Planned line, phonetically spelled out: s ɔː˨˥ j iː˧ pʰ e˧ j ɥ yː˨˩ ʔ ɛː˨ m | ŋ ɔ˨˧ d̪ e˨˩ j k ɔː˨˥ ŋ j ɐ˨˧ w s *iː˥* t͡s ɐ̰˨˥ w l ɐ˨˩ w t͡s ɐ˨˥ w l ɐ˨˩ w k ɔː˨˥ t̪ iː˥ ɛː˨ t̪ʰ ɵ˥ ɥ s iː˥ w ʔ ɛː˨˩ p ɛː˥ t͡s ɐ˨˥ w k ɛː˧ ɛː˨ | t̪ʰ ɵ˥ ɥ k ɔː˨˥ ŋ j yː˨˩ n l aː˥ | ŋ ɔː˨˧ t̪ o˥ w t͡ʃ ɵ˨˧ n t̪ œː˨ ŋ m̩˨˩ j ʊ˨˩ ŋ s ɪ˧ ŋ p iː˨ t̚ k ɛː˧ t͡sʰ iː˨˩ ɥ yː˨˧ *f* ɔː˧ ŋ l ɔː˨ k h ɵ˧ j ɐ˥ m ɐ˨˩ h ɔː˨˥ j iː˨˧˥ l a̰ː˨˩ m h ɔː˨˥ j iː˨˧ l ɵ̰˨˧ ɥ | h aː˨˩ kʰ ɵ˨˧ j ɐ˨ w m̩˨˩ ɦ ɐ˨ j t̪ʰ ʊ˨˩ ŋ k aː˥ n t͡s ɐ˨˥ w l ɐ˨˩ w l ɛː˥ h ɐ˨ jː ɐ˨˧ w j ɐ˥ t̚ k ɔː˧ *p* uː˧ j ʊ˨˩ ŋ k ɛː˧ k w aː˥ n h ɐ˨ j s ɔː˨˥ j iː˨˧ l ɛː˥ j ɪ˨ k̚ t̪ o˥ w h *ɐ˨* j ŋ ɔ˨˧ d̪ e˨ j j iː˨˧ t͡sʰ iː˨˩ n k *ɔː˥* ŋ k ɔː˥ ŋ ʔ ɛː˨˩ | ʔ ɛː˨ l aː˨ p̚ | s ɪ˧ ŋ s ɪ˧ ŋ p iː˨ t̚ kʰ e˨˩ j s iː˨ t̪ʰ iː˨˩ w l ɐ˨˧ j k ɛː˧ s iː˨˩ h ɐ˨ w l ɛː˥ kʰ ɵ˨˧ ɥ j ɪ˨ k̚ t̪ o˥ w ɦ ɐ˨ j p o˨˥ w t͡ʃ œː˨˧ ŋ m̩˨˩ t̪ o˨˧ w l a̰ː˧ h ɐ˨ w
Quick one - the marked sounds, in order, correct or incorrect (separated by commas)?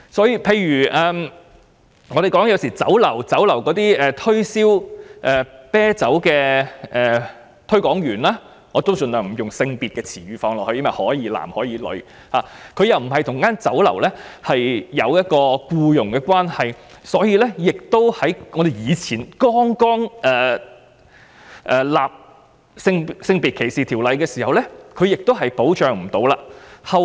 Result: incorrect, correct, incorrect, incorrect, correct